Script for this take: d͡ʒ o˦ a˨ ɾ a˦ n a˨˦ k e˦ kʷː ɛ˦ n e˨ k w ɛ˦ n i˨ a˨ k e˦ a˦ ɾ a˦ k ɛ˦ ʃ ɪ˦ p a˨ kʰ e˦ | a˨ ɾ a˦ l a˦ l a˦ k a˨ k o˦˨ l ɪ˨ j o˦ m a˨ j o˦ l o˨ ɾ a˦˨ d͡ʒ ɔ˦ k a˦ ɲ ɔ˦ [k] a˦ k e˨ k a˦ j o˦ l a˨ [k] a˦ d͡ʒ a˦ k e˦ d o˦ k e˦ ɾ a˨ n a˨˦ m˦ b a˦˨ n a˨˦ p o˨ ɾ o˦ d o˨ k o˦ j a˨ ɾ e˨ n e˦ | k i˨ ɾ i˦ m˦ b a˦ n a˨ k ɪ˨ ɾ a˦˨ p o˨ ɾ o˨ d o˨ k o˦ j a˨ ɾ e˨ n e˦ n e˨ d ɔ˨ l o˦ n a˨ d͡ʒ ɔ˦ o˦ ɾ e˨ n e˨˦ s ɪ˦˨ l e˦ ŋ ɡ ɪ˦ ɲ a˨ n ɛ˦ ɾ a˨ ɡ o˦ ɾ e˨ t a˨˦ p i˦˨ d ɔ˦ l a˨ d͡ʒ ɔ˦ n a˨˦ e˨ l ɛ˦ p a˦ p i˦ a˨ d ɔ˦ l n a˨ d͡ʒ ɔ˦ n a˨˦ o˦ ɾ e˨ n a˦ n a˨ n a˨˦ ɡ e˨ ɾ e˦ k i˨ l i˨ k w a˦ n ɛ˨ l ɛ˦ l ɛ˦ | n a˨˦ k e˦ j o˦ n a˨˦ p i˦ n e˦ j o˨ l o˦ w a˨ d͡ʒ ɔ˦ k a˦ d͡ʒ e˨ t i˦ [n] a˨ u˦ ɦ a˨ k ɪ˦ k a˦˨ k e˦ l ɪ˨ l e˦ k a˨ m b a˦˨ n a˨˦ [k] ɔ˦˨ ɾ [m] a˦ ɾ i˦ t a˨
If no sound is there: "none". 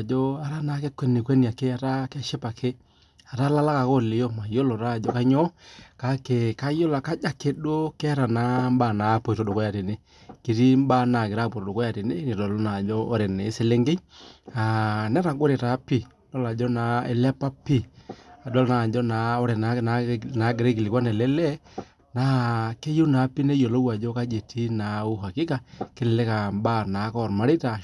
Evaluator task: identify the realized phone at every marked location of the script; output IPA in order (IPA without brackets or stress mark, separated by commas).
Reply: k, k, n, k, m